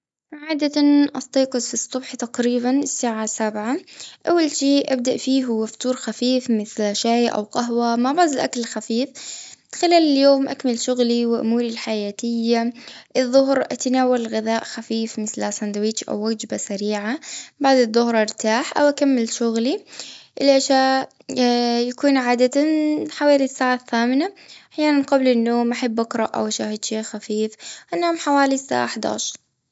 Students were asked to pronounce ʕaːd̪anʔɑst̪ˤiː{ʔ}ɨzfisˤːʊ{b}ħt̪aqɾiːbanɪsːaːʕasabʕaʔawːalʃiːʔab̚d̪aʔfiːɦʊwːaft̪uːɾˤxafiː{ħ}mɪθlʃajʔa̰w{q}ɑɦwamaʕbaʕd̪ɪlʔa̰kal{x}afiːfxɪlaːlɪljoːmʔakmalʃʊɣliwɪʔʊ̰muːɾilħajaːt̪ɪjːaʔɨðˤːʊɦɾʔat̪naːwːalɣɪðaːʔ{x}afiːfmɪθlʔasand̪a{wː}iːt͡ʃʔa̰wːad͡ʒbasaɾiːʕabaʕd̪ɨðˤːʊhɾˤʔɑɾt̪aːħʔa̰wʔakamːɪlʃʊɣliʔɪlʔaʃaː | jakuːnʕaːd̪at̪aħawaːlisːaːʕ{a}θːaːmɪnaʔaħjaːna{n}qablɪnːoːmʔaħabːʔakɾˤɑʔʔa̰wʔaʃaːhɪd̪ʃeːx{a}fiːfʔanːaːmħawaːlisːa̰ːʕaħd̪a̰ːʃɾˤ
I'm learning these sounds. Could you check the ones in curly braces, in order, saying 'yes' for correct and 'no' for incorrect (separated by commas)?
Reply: no, yes, no, yes, yes, yes, no, yes, yes, yes